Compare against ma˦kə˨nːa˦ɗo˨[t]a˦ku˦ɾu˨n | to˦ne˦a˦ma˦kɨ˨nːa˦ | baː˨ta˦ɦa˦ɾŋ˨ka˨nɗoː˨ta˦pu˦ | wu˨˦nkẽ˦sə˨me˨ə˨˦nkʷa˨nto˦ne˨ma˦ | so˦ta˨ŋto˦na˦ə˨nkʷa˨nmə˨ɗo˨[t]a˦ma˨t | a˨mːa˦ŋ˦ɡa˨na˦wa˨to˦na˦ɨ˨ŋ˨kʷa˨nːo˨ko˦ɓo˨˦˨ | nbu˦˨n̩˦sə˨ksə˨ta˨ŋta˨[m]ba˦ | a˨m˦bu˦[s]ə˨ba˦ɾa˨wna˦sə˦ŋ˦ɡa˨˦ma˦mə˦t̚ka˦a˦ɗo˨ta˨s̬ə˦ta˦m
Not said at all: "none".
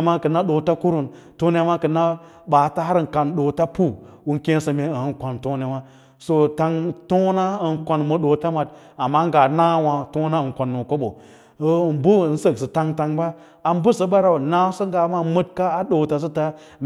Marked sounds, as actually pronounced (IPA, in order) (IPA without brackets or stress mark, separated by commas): t, t, ŋ, s